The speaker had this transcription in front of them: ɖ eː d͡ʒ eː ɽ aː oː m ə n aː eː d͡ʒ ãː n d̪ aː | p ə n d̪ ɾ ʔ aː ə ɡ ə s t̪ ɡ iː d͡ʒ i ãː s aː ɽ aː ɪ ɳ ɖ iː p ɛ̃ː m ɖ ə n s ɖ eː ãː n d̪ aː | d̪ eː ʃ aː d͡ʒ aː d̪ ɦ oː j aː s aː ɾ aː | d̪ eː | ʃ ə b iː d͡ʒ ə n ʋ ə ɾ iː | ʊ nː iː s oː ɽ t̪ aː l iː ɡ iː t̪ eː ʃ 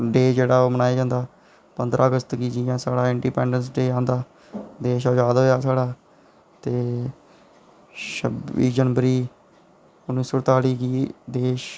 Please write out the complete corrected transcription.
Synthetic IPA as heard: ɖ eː d͡ʒ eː ɽ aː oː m ə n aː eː d͡ʒ ãː n d̪ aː | p ə n d̪ ɾ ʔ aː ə ɡ ə s t̪ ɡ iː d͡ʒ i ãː s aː ɽ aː ɪ ɳ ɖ iː p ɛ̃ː ɳ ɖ ə n s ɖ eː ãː n d̪ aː | d̪ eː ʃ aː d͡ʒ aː d̪ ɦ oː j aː s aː ɽ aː | t̪ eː | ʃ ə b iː d͡ʒ ə n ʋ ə ɾ iː | ʊ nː iː s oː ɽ t̪ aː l iː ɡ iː d̪ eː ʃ